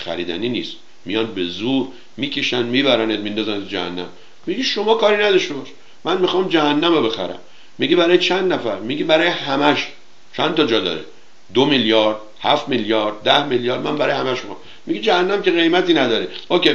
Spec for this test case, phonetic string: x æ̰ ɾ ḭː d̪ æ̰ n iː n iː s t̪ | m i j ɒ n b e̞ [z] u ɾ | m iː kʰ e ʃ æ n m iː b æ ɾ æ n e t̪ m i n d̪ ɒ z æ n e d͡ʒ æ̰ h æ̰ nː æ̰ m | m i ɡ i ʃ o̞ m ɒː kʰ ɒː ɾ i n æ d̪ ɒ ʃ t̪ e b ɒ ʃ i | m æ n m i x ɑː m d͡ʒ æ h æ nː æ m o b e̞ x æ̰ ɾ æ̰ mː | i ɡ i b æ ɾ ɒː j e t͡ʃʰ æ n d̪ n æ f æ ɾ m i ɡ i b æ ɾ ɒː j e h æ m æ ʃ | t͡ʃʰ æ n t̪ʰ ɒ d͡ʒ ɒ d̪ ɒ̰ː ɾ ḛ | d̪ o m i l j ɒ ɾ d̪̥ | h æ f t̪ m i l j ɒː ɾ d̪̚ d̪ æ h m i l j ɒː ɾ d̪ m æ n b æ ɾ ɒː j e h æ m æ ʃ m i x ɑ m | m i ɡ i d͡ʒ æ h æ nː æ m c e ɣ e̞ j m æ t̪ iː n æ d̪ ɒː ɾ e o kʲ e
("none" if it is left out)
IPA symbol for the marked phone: z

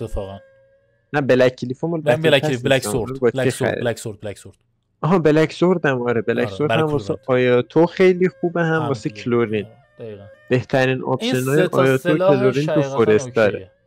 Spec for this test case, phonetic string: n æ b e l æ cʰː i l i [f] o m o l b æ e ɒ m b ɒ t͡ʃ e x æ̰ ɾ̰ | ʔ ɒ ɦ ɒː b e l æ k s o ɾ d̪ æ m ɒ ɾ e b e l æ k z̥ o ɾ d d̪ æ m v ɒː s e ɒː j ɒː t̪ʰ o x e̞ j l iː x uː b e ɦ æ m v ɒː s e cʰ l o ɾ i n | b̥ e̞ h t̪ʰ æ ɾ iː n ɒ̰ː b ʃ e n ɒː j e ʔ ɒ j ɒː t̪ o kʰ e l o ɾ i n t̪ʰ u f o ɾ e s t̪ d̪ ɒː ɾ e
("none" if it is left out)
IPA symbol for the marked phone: f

